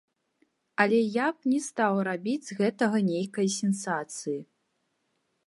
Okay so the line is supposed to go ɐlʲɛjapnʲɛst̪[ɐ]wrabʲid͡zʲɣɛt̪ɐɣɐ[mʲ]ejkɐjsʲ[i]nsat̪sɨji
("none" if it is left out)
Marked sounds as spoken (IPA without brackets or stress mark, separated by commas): a, nʲ, ɛ